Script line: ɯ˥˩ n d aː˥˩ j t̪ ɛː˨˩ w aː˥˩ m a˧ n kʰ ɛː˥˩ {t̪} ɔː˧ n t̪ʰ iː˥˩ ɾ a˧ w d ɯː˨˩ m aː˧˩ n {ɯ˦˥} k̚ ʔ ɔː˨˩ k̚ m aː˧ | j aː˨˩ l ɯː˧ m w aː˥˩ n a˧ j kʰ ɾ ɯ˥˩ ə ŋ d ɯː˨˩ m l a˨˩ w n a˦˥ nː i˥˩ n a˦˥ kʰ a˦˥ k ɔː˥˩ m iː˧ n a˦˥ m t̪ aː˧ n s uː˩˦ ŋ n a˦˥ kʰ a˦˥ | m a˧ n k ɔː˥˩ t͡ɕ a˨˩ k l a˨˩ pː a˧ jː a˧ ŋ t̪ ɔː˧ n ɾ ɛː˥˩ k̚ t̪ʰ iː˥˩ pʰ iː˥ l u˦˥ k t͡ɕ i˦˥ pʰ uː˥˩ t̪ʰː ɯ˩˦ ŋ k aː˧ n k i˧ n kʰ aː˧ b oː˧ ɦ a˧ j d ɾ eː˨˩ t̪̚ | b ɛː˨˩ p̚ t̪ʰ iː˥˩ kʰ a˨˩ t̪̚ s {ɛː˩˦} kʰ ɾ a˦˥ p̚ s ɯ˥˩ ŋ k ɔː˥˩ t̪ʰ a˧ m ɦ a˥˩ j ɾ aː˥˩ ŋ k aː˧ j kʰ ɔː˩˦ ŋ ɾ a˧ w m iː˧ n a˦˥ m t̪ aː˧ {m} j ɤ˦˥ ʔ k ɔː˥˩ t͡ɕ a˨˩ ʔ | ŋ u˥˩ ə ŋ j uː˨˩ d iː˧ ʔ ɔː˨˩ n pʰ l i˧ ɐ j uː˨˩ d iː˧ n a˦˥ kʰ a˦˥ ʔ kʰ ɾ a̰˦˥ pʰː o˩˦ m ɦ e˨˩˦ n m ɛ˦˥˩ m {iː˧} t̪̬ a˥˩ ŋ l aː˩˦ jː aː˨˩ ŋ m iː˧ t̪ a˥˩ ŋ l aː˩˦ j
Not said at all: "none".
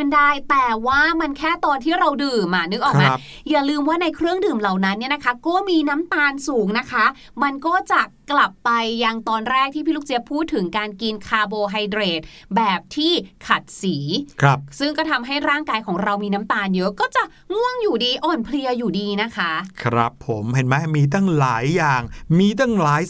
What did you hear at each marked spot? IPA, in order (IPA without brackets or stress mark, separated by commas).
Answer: t̪, ɯ˦˥, iː˩˦, n, iː˧